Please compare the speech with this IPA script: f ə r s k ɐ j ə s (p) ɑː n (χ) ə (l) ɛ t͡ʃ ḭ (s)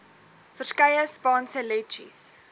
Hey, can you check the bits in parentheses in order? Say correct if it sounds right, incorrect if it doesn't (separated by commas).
correct, incorrect, correct, correct